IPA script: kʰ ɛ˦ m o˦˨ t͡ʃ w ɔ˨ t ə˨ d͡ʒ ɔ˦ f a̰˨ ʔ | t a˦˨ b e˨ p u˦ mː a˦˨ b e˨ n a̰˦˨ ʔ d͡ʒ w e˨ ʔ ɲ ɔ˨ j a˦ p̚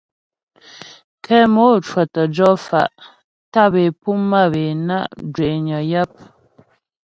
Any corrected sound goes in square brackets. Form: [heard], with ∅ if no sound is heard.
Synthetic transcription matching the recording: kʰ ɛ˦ m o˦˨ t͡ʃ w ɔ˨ t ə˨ d͡ʒ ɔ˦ f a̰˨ ʔ | t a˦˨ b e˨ p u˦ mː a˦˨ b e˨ n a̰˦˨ ʔ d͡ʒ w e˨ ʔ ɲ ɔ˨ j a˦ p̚